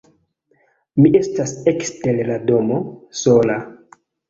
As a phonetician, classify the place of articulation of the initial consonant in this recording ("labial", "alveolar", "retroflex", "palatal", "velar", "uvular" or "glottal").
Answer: labial